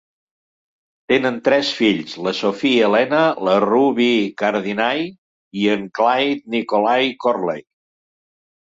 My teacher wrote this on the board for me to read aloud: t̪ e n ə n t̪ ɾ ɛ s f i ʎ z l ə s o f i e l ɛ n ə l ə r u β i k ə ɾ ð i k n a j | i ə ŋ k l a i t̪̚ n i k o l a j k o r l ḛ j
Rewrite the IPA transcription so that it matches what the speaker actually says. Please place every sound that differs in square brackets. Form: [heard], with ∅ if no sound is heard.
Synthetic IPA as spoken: t̪ e n ə n t̪ ɾ ɛ s f i ʎ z l ə s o f i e l ɛ n ə l ə r u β i k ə ɾ ð i [∅] n a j | i ə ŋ k l a [j] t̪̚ n i k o l a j k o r l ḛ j